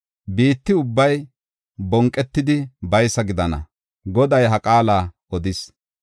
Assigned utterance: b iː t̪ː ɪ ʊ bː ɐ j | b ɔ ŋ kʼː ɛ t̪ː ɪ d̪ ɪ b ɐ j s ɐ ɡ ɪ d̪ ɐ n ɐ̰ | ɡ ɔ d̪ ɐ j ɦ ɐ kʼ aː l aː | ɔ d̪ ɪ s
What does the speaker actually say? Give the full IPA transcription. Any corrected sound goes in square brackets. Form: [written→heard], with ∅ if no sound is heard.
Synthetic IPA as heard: b iː t̪ː ɪ ʊ bː ɐ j | b ɔ ŋ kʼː ɛ t̪ː ɪ d̪ ɪ b ɐ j s ɐ ɡ ɪ d̪ ɐ n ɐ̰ | ɡ ɔ d̪ ɐ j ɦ ɐ kʼ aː l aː | ɔ d̪ ɪ s